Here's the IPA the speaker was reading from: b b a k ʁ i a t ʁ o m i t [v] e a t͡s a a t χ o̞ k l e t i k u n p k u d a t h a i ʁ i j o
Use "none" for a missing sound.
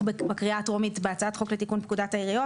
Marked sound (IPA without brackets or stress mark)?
b